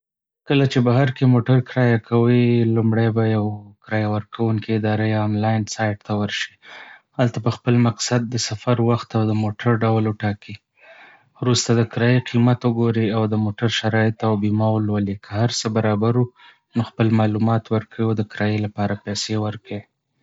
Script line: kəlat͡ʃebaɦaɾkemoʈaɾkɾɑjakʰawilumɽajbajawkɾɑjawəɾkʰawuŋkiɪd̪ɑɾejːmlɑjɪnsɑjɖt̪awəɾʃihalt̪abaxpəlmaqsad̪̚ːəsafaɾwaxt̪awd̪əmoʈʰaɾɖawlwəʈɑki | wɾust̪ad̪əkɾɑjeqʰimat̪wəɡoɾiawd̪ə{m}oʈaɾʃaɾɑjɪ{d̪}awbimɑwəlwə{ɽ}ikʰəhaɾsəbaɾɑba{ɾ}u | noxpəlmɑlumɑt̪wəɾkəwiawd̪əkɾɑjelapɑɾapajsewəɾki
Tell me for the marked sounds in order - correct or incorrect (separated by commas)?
correct, incorrect, incorrect, correct